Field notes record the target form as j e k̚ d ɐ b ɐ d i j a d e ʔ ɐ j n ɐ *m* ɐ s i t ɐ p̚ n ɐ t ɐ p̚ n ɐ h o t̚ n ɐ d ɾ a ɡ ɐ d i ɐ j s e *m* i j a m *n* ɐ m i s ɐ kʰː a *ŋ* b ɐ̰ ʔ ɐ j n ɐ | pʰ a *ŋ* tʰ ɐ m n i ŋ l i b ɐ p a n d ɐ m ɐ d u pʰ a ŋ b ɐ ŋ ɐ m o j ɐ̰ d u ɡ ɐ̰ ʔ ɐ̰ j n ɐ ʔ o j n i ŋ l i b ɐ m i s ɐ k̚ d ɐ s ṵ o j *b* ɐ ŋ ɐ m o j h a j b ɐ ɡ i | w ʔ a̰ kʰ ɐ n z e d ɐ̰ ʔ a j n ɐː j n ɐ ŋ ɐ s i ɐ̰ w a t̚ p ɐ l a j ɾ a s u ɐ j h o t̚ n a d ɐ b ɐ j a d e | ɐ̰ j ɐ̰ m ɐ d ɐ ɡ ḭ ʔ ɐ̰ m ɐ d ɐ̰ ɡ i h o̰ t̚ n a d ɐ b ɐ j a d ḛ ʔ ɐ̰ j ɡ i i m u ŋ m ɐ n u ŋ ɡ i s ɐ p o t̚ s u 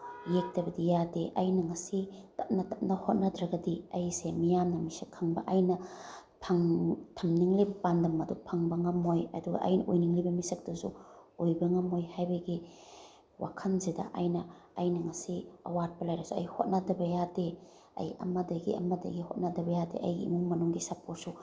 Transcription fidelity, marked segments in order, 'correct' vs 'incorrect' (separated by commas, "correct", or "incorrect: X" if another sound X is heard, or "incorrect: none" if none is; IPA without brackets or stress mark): incorrect: ŋ, correct, correct, correct, correct, correct